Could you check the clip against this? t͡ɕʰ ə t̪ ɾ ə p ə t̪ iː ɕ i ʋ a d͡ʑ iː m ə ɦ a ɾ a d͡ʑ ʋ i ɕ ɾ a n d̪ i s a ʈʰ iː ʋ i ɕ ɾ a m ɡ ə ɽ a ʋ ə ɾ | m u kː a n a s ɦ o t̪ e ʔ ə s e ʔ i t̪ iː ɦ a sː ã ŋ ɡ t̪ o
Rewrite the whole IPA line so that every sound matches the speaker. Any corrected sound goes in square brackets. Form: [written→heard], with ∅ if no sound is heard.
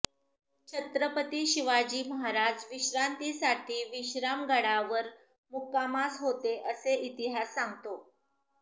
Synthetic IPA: t͡ɕʰ ə t̪ ɾ ə p ə t̪ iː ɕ i ʋ a d͡ʑ iː m ə ɦ a ɾ a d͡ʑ ʋ i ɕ ɾ a n [d̪→t̪] i s a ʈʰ iː ʋ i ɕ ɾ a m ɡ ə ɽ a ʋ ə ɾ | m u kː a [n→m] a s ɦ o t̪ e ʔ ə s e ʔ i t̪ [iː→i] ɦ a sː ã ŋ ɡ t̪ o